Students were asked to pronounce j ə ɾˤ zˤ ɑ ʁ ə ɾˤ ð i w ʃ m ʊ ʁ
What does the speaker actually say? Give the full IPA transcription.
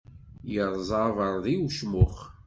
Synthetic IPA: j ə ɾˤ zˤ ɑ v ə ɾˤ ð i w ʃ m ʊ χ